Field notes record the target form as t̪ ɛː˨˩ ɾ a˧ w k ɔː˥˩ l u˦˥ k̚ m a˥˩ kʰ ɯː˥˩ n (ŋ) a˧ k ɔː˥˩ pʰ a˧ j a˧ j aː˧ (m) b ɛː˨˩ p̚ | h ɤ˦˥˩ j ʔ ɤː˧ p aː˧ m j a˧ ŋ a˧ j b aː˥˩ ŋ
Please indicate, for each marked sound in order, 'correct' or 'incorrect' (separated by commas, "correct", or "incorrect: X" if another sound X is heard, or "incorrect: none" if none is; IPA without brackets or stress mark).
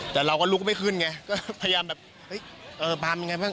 correct, correct